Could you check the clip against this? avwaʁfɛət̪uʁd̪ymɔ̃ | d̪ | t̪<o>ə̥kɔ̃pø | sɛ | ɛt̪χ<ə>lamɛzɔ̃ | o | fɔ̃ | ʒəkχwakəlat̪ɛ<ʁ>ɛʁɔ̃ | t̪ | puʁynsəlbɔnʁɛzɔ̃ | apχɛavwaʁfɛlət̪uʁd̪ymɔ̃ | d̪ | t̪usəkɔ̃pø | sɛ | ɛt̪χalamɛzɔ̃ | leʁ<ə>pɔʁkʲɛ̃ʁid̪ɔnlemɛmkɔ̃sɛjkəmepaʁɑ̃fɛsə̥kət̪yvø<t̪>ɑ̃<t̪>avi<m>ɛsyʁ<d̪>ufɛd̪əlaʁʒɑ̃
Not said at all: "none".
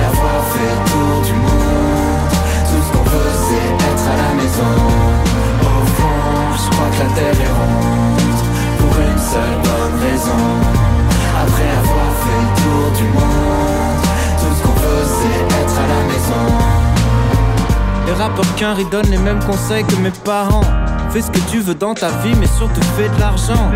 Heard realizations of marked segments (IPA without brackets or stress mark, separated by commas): u, a, ʁ, a, d̪, t̪, m, t̪